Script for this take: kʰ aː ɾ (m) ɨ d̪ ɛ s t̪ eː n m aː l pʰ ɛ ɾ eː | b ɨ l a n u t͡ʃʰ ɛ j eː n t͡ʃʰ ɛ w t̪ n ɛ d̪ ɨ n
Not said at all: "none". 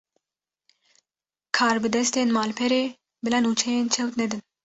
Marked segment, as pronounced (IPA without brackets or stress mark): b